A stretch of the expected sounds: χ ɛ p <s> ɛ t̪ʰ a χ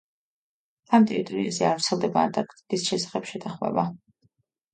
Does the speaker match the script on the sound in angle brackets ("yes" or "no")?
no